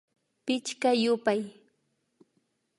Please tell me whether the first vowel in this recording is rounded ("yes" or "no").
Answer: no